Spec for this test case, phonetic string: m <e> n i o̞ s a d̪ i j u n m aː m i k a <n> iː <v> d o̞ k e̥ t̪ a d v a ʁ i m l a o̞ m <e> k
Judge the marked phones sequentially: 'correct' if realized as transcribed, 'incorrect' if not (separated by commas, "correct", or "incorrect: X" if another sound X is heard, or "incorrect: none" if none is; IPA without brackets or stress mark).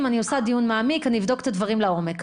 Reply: incorrect: a, correct, correct, correct